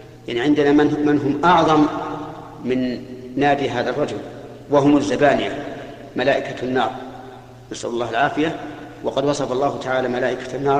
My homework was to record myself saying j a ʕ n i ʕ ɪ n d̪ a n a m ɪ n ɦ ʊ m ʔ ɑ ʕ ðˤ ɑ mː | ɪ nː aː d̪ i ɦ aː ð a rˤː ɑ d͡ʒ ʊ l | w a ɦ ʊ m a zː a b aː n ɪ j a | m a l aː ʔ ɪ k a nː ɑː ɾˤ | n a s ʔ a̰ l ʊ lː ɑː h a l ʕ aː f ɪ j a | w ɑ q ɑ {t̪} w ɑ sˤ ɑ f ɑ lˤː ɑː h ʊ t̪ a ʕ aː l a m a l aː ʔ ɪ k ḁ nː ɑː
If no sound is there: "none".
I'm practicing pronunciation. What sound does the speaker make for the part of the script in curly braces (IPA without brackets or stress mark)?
d̪